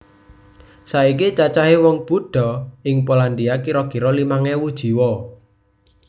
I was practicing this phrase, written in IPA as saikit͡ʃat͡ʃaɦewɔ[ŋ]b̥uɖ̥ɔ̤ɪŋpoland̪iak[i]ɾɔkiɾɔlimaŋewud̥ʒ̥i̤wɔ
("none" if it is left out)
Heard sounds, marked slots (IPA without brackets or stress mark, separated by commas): ŋ, i